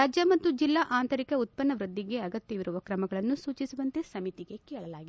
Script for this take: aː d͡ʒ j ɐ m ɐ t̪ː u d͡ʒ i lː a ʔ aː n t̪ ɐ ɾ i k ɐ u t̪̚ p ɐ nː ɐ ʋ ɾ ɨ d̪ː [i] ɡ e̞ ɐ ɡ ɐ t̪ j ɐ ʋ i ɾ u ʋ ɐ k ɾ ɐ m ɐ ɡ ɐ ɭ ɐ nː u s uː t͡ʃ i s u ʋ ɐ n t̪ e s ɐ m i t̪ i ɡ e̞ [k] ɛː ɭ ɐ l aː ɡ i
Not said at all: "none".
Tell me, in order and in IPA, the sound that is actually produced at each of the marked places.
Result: i, k

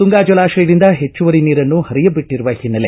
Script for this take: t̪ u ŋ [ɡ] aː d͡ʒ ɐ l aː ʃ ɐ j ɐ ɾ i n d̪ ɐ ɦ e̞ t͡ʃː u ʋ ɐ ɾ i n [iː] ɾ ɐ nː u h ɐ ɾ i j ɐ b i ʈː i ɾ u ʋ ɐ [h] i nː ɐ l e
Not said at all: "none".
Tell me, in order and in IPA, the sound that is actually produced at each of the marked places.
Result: ɡ, iː, h

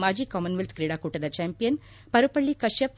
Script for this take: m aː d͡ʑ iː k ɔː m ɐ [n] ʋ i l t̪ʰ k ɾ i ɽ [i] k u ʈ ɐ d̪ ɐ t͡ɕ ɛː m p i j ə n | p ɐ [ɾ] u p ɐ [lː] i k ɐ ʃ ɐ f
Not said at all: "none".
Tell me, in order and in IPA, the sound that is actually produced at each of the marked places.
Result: n, a, ɾ, ɭː

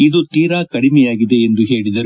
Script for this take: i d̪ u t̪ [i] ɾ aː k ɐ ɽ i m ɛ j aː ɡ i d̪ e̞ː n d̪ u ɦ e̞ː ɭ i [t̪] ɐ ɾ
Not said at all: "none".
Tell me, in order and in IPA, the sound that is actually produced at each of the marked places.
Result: iː, d̪

